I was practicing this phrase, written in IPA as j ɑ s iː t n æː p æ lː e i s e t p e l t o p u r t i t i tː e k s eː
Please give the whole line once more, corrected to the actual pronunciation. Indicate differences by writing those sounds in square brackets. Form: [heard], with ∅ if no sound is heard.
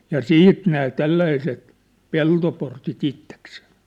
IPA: j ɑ s iː t n æː [t] æ lː [æ] i s e t p e l t o p [o] r t i t i tː e k s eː

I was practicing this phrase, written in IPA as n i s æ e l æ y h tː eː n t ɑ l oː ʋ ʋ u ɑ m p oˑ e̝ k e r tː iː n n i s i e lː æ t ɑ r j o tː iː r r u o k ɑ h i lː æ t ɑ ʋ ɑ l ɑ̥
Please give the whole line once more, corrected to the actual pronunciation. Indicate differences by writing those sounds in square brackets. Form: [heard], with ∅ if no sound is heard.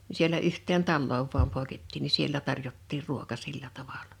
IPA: n i s [i] e l æ y h tː eː n t ɑ [lː] oː ʋ ʋ u ɑ m p oˑ e̝ k e [∅] tː iː n n i s i e lː æ t ɑ r j o tː iː r r u o k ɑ [s] i lː æ t ɑ ʋ ɑ l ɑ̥

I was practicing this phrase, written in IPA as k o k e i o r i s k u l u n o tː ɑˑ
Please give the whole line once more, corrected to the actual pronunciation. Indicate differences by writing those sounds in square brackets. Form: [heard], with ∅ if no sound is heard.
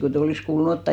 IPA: k o [t] e i o [l] i s k [uː] l u n o tː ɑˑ

